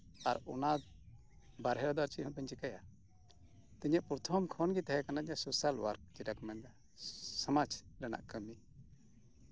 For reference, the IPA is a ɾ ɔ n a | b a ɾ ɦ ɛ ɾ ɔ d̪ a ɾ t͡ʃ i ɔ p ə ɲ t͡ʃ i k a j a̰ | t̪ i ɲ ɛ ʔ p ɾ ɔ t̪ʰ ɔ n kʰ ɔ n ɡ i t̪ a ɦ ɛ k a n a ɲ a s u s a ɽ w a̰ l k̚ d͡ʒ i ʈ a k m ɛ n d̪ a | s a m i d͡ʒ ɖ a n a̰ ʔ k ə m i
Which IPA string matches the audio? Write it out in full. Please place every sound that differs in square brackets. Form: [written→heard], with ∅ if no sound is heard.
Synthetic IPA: a ɾ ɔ n a | b a ɾ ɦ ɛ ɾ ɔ d̪ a ɾ t͡ʃ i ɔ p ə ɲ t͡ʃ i k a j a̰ | t̪ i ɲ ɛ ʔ p ɾ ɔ t̪ʰ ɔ [n→m] kʰ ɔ n ɡ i t̪ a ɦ ɛ k a n a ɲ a s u s a [ɽ→l] w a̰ [l→ɾ] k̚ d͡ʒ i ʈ a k m ɛ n d̪ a | s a m [i→a] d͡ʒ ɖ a n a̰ ʔ k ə m i